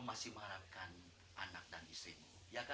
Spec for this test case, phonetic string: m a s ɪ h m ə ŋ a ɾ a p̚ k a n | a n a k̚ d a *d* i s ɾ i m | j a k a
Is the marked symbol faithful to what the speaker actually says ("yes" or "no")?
no